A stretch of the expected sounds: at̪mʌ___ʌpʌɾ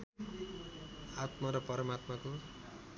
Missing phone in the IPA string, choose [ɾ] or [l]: ɾ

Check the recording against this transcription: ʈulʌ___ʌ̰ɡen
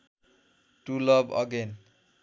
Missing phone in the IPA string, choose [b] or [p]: b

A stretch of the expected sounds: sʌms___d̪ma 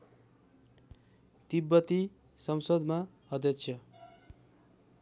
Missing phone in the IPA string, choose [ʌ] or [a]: ʌ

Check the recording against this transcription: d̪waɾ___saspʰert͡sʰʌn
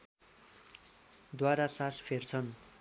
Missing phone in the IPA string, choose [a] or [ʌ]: a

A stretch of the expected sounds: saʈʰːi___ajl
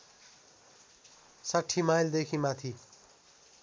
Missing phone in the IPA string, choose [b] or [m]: m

